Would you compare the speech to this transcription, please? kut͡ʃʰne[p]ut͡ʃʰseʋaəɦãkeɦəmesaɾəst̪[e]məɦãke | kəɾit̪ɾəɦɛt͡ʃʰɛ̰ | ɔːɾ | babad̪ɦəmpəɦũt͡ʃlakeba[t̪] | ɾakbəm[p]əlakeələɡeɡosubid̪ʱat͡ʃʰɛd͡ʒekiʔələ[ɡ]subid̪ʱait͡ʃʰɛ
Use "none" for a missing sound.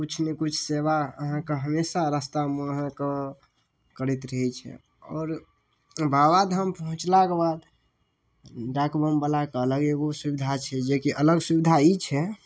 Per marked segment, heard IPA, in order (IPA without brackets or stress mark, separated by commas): k, a, d̪, b, ɡ